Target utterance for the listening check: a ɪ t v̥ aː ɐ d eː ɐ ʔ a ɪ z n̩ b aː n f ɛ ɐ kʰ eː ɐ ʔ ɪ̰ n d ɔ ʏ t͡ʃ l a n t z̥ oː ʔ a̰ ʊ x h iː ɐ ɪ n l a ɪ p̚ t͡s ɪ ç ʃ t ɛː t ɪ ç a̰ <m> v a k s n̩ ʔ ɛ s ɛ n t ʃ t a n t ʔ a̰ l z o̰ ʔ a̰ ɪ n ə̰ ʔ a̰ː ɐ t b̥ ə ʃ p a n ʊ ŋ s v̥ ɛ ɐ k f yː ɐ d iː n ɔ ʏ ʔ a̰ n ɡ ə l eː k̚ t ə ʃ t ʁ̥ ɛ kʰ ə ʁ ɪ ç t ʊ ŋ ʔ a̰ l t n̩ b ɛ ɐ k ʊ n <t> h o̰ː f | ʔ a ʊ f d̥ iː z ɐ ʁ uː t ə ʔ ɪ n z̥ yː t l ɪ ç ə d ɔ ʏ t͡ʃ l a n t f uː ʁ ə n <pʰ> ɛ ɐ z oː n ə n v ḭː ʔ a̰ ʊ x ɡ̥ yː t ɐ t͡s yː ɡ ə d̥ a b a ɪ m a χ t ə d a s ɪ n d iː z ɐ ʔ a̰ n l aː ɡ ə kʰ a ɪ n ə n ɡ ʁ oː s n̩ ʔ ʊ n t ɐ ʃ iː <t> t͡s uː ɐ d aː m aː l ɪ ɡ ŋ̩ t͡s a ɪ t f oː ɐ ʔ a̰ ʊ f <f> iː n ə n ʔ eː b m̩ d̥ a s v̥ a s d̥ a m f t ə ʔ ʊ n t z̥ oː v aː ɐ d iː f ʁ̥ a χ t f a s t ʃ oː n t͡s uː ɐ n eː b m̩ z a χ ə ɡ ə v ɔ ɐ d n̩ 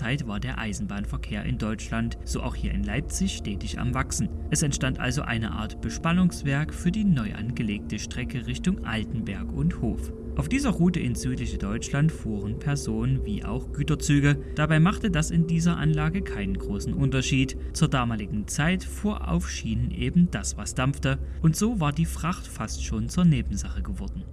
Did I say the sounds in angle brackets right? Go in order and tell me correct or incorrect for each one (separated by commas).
correct, correct, correct, correct, incorrect